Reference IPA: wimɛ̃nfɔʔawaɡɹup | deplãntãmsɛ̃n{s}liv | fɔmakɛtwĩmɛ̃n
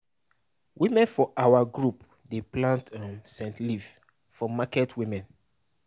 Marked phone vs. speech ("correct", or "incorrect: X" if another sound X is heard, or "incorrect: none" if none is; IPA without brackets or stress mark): incorrect: t